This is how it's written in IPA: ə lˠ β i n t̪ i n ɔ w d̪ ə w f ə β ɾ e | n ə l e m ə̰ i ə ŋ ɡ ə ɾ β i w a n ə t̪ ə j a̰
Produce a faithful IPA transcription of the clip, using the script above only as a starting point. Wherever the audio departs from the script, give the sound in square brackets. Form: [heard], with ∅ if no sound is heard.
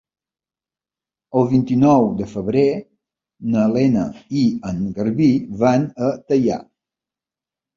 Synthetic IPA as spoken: ə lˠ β i n t̪ i n ɔ w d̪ ə [∅] f ə β ɾ e | n ə l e [n] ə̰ i ə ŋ ɡ ə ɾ β i [β] a n ə t̪ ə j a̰